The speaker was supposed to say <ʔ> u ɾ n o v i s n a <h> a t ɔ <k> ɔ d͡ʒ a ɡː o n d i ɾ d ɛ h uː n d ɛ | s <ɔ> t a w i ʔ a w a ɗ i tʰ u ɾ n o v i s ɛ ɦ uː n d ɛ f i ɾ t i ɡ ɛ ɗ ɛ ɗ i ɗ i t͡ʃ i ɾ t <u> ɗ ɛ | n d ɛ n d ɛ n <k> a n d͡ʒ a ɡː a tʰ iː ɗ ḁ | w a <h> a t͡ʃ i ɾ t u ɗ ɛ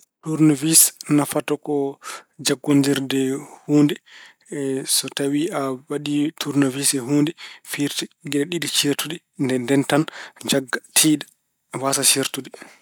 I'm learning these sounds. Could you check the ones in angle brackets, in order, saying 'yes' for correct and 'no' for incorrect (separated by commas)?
no, no, yes, yes, yes, no, no